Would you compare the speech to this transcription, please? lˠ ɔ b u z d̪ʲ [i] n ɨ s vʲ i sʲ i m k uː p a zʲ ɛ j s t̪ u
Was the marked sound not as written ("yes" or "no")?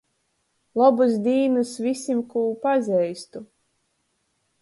yes